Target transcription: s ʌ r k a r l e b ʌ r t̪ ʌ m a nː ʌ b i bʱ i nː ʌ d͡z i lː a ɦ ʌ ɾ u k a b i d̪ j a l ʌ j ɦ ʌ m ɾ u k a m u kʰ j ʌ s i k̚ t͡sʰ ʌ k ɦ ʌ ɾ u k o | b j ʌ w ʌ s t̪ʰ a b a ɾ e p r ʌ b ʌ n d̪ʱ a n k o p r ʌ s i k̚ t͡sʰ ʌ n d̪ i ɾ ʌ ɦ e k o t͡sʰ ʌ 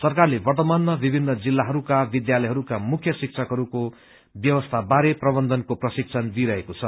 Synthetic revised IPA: s ʌ r k a r l e b ʌ r t̪ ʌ m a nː ʌ b i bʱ i nː ʌ d͡z i lː a ɦ ʌ ɾ u k a b i d̪ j a l ʌ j ɦ ʌ ɾ u k a m u kʰ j ʌ s i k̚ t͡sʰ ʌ k ɦ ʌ ɾ u k o | b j ʌ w ʌ s t̪ʰ a b a ɾ e p r ʌ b ʌ n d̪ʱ ʌ n k o p r ʌ s i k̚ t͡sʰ ʌ n d̪ i ɾ ʌ ɦ e k o t͡sʰ ʌ